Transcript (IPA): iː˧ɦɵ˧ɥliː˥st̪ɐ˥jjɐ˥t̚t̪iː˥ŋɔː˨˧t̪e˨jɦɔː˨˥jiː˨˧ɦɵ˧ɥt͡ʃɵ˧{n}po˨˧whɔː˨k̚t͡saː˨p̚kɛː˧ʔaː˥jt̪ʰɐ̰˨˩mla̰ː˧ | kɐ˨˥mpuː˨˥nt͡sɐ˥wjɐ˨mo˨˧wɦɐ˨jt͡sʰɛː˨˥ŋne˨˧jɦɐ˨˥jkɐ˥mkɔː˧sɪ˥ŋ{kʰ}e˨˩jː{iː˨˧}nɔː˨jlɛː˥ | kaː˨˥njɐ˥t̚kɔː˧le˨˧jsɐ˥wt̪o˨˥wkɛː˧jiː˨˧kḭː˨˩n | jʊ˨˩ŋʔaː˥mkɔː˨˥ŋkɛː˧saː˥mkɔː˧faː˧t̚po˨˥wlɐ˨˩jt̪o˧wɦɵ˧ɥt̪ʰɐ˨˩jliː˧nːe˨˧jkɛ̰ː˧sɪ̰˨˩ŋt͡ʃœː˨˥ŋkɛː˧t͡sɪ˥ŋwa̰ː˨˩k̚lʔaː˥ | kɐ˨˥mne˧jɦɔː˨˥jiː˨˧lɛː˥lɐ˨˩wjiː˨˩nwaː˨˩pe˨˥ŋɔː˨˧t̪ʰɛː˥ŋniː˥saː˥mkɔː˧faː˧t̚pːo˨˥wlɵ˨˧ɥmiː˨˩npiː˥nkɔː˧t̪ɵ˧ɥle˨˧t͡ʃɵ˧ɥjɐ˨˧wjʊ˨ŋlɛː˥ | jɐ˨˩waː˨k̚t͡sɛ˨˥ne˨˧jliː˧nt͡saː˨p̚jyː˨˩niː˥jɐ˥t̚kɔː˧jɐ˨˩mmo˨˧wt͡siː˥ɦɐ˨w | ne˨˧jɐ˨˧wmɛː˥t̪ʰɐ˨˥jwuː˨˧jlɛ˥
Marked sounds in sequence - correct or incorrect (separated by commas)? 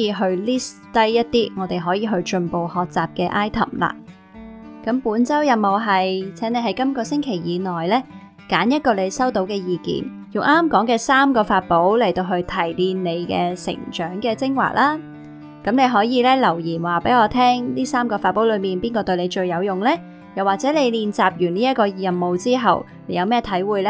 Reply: correct, correct, correct